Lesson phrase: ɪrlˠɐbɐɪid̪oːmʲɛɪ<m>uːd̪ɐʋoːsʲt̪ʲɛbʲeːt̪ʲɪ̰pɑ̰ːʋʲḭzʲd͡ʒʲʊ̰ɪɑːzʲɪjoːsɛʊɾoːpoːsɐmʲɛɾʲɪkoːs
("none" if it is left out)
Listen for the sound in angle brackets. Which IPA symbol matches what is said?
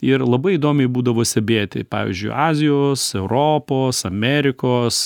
b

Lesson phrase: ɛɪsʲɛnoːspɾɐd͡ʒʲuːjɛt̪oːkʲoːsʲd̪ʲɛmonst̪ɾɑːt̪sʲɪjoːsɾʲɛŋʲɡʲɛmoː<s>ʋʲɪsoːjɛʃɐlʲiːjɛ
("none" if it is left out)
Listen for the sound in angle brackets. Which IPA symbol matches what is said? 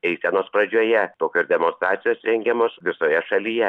s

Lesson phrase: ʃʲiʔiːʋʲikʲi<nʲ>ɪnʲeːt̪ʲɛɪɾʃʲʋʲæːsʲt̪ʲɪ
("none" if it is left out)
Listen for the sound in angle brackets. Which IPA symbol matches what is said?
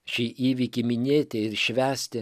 mʲ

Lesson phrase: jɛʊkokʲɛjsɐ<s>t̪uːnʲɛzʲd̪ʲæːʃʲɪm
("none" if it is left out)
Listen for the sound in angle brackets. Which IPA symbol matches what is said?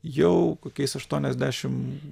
ʃ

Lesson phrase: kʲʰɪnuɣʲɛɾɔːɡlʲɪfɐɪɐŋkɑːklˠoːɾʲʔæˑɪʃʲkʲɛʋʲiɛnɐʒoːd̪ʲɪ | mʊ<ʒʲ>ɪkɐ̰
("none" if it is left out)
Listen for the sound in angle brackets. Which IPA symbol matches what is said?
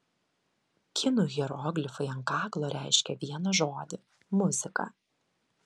zʲ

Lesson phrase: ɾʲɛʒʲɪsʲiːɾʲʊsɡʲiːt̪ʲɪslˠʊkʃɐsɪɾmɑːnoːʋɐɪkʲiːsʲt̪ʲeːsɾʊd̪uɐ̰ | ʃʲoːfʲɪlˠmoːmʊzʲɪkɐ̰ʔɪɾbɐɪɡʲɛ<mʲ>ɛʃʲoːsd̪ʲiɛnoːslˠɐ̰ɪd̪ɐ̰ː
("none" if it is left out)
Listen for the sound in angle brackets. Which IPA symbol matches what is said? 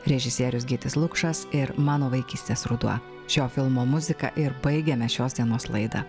mʲ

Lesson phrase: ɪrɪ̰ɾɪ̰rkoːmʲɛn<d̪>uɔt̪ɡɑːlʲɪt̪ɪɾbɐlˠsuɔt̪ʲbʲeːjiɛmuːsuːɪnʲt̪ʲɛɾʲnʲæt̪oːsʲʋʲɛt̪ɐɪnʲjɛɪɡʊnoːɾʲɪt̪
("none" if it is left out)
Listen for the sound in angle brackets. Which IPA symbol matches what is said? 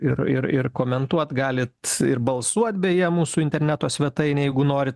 t̪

